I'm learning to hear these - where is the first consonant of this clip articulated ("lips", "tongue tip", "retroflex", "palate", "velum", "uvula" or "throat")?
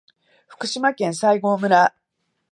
lips